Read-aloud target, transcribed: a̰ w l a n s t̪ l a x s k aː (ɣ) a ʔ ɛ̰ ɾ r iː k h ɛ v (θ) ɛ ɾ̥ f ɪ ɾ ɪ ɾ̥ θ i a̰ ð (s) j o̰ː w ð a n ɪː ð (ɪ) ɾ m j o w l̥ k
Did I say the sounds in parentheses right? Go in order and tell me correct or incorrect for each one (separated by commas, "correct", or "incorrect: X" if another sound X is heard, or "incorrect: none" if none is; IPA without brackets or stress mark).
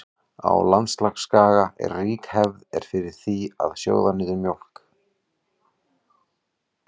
correct, incorrect: ð, correct, correct